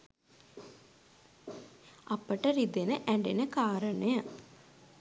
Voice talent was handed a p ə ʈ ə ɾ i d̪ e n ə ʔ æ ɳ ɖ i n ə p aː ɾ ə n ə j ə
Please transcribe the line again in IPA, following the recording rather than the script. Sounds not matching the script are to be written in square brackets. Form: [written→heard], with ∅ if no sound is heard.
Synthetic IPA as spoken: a p ə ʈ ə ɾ i d̪ e n ə ʔ æ ɳ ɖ [i→e] n ə [p→k] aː ɾ ə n ə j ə

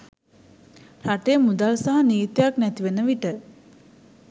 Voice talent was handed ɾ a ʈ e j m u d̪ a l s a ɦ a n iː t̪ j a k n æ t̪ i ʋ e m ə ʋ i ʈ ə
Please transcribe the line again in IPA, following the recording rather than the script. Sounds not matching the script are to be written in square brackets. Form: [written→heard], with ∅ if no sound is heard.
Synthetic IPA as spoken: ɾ a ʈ e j m u d̪ a l s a ɦ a n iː t̪ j a k n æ t̪ i ʋ e [m→n] ə ʋ i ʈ ə

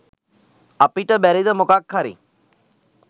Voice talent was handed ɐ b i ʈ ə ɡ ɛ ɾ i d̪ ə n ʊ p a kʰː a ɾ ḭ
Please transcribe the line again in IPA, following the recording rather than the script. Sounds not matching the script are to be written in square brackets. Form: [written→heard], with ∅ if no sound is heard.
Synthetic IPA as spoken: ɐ [b→p] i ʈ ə [ɡ→b] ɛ ɾ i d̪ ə [n→m] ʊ [p→k] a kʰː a ɾ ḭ

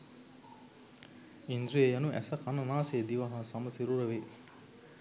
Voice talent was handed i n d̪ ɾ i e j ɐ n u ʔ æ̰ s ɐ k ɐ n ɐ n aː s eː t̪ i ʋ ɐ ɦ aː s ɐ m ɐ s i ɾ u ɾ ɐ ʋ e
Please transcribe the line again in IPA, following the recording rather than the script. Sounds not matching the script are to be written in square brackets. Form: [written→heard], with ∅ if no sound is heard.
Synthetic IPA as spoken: i n d̪ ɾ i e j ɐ n u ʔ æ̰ s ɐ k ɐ n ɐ n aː s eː [t̪→d̪] i ʋ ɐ ɦ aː s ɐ m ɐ s i ɾ u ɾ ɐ ʋ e

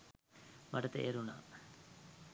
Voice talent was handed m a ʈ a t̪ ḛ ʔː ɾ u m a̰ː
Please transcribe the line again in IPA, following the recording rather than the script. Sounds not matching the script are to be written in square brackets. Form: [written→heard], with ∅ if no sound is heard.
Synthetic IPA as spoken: m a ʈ [a→ə] t̪ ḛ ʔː ɾ u [m→n] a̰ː

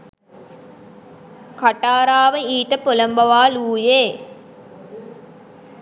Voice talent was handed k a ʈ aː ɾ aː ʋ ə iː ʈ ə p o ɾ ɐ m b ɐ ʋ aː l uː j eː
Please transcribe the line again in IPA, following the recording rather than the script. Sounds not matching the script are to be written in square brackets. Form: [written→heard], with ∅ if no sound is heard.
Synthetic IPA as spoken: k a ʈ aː ɾ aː ʋ ə iː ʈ ə p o [ɾ→l] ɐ m b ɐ ʋ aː l uː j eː

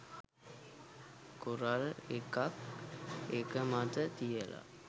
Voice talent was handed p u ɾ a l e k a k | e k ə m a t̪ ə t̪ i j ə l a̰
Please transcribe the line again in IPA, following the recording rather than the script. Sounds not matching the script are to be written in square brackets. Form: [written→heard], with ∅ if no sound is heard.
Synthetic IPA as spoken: [p→k] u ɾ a l e k a k | e k ə m a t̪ ə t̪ i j ə l a̰

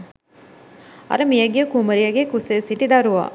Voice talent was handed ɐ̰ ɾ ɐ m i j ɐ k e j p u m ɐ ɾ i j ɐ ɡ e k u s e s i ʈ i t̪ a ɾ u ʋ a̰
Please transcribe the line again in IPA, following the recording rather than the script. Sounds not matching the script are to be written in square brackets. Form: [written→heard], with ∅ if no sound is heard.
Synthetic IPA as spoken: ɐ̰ ɾ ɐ m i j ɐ [k→ɡ] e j [p→k] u m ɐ ɾ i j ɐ ɡ e k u s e s i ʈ i [t̪→d̪] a ɾ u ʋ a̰

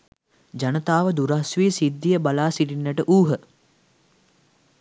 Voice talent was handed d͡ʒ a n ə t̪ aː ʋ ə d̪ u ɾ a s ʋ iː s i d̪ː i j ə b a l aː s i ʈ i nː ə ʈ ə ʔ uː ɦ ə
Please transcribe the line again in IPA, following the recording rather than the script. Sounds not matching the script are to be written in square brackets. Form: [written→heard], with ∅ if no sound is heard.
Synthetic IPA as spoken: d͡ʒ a n ə t̪ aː ʋ ə d̪ u ɾ a s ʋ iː s i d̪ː i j ə b a l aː s i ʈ i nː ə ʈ ə ʔ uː ɦ ə

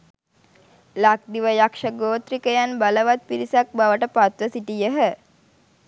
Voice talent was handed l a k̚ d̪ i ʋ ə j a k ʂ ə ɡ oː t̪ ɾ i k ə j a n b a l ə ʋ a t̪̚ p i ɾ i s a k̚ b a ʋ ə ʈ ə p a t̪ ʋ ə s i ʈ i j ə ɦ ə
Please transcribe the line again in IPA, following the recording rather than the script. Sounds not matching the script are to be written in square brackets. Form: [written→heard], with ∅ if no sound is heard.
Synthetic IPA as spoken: l a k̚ d̪ i ʋ ə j a k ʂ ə ɡ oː t̪ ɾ i k ə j a n b a l ə ʋ a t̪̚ p i ɾ i s a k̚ b a ʋ ə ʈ ə p a t̪ ʋ ə s i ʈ i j ə ɦ ə

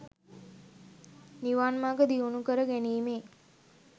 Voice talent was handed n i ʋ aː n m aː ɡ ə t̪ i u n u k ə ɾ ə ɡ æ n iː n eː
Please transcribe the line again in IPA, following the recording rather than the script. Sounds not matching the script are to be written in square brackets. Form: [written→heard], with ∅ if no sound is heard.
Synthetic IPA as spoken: n i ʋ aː n m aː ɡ ə [t̪→d̪] i u n u k ə ɾ ə ɡ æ n iː [n→m] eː

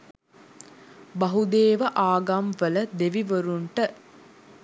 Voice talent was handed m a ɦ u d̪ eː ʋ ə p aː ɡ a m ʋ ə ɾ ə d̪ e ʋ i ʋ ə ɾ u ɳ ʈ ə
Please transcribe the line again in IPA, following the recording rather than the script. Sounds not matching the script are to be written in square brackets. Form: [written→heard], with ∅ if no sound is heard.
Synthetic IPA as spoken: [m→b] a ɦ u d̪ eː ʋ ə [p→ʔ] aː ɡ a m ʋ ə [ɾ→l] ə d̪ e ʋ i ʋ ə ɾ u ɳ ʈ ə

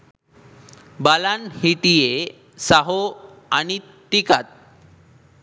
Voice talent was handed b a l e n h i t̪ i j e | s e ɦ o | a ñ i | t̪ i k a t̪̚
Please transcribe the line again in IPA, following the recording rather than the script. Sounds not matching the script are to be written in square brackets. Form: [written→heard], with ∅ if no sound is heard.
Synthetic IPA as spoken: b a l [e→a] n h i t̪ i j e | s [e→a] ɦ o | a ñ i | t̪ i k a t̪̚

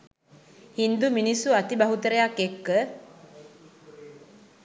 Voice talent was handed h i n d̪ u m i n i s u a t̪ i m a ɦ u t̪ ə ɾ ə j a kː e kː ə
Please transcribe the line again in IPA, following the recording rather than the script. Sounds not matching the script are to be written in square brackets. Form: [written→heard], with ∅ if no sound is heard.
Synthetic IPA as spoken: h i n d̪ u m i n i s u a t̪ i [m→b] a ɦ u t̪ ə ɾ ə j a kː e kː ə

